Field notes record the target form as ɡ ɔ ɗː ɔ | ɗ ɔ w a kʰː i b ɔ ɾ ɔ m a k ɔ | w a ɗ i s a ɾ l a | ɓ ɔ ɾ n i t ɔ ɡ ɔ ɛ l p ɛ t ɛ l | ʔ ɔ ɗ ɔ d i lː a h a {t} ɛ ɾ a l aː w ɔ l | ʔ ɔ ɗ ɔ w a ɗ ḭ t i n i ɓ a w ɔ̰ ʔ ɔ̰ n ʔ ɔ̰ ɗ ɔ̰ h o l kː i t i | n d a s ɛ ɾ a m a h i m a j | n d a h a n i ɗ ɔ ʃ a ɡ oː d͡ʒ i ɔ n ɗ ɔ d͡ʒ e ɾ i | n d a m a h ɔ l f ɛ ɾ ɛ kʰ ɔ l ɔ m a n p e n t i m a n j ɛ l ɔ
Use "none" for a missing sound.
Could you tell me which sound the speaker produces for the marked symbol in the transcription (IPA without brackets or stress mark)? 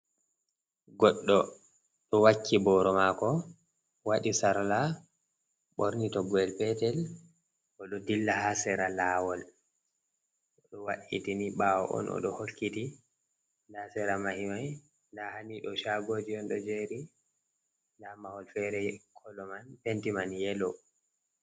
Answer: s